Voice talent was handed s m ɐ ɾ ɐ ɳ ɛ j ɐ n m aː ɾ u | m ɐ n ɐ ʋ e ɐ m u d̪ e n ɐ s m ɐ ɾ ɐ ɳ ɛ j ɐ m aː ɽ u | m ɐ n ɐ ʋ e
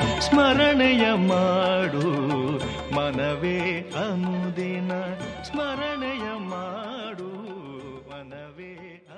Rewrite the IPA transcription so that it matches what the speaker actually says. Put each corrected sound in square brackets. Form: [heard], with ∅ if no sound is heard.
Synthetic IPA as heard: s m ɐ ɾ ɐ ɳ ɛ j ɐ [∅] m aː [ɽ] u | m ɐ n ɐ ʋ e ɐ m u d̪ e n ɐ s m ɐ ɾ ɐ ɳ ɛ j ɐ m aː ɽ u | m ɐ n ɐ ʋ e